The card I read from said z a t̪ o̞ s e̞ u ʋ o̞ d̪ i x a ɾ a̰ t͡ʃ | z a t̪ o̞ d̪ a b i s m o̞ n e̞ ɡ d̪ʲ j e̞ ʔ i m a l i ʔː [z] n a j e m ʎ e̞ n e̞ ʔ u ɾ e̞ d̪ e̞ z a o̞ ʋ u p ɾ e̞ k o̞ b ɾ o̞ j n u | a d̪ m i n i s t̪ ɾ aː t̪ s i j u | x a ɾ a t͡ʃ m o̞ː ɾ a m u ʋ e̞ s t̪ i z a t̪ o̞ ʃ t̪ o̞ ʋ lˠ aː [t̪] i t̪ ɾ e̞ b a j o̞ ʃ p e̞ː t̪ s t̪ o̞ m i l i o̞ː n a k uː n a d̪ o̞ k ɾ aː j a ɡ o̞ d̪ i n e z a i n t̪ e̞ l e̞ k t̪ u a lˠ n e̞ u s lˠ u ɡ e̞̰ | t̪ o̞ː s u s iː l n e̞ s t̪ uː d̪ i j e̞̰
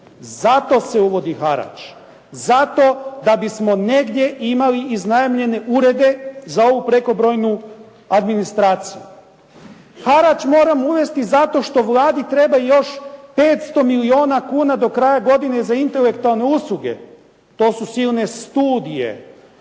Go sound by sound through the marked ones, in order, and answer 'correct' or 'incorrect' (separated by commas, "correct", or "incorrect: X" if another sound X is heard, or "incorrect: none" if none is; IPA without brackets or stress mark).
correct, incorrect: d̪